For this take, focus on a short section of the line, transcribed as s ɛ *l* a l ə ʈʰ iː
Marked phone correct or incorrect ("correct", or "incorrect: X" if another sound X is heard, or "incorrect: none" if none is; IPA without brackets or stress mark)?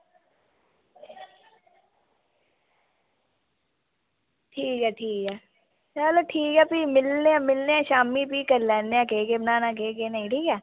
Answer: incorrect: none